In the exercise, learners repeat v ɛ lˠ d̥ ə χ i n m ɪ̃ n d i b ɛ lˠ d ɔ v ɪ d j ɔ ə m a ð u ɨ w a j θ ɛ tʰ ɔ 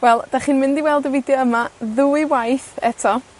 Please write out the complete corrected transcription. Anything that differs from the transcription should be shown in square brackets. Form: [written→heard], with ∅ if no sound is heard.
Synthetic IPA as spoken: [v→w] ɛ lˠ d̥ [ə→a] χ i n m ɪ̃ n d i [b→w] ɛ lˠ d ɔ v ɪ d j ɔ ə m a ð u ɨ w a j θ ɛ tʰ ɔ